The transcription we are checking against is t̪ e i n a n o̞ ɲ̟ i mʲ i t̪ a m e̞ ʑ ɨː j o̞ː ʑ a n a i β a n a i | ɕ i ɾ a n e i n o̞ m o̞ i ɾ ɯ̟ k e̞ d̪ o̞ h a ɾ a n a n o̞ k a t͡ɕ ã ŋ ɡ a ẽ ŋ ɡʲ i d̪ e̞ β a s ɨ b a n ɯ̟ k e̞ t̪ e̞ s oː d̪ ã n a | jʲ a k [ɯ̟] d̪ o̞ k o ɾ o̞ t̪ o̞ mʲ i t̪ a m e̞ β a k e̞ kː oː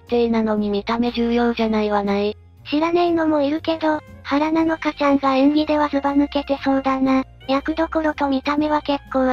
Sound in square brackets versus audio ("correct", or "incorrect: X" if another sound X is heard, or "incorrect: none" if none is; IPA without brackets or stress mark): correct